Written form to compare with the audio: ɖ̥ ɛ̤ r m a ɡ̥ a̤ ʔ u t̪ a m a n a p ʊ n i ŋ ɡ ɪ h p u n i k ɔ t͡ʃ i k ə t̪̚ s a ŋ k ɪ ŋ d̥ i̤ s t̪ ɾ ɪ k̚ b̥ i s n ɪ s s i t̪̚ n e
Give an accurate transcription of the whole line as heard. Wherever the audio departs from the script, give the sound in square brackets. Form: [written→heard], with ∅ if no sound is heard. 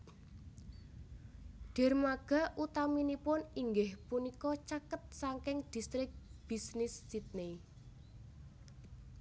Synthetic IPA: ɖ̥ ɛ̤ r m a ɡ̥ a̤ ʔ u t̪ a m [a→i] n [a→i] p ʊ n i ŋ ɡ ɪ h p u n i k ɔ t͡ʃ [i→a] k ə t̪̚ s a ŋ k ɪ ŋ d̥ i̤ s t̪ ɾ ɪ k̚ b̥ i s n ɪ s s i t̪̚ n e